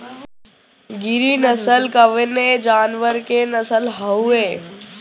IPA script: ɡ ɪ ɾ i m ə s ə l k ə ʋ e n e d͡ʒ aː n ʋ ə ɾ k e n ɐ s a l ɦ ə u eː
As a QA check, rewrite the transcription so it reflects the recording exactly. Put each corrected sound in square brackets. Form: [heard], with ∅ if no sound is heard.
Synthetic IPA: ɡ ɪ ɾ i [n] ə s ə l k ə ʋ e n e d͡ʒ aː n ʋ ə ɾ k e n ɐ s [ə] l ɦ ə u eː